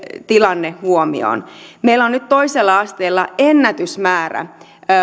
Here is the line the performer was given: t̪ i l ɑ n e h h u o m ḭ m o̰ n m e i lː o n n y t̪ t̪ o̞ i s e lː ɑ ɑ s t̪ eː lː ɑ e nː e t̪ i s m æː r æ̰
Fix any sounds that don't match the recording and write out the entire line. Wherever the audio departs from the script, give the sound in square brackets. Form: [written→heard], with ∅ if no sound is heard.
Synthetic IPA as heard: t̪ i l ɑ [n→nː] e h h u o m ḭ [m→∅] o̰ n m e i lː o n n y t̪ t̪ o̞ i s e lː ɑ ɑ s t̪ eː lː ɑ e nː [e→æ] t̪ [i→y] s m æː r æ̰